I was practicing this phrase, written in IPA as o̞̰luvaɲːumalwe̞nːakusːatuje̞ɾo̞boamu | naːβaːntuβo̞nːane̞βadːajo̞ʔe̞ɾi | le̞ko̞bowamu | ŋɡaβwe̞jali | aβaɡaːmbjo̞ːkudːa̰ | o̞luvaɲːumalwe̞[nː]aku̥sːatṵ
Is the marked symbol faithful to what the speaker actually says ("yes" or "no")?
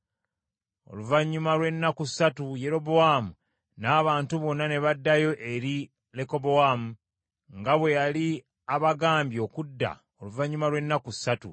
yes